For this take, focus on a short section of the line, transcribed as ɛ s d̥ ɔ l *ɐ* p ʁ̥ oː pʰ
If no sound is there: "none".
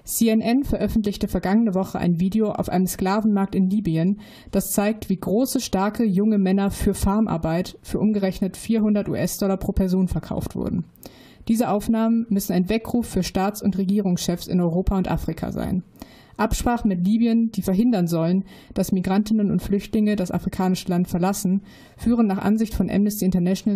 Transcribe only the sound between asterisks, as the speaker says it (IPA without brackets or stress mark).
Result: ɐ